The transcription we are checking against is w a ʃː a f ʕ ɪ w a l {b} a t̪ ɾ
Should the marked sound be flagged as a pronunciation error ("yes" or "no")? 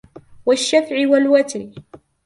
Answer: yes